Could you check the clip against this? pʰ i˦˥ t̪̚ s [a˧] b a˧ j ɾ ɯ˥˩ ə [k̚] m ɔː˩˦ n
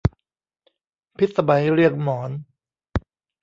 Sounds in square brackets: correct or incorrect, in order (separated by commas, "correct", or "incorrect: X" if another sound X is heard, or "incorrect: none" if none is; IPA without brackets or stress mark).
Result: correct, correct